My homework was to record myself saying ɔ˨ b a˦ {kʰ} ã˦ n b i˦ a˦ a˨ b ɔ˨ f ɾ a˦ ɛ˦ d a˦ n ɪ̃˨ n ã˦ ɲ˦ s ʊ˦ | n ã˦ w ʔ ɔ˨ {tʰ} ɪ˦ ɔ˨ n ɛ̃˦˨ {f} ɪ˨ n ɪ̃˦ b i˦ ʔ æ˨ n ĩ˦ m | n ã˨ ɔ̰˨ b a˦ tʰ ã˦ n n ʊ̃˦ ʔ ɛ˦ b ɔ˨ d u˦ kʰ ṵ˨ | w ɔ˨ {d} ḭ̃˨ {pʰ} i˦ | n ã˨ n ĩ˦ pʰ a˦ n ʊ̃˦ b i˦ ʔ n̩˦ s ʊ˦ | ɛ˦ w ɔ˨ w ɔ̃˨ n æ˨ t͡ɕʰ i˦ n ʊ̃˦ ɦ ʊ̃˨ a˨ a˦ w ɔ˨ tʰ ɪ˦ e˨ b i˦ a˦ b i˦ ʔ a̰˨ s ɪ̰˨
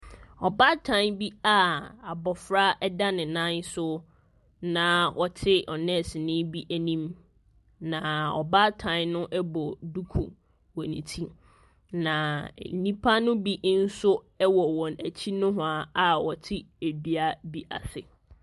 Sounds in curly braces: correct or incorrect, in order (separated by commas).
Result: incorrect, correct, incorrect, incorrect, incorrect